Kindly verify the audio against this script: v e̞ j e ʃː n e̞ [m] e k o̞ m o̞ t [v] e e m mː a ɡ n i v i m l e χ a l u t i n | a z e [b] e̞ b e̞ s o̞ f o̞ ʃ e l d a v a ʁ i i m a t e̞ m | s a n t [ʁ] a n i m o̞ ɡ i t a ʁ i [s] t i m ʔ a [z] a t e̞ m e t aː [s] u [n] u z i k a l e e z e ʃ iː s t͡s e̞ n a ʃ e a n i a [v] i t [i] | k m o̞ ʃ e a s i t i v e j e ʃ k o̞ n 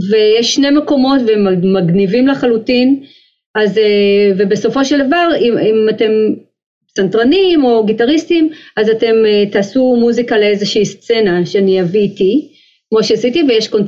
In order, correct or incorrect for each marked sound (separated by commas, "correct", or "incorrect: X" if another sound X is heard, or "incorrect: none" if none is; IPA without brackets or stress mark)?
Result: correct, correct, incorrect: v, correct, correct, correct, correct, incorrect: m, correct, correct